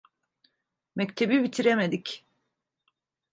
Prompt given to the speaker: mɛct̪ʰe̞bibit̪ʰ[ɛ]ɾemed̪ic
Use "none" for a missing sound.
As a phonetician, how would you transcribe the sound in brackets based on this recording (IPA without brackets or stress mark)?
i